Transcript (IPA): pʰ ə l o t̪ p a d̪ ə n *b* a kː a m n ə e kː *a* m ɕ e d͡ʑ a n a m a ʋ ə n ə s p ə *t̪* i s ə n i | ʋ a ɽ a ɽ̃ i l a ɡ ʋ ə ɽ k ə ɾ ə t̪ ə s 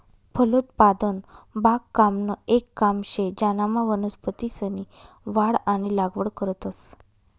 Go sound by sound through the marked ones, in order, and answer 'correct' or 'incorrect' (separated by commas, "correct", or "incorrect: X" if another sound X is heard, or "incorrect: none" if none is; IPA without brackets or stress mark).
correct, correct, correct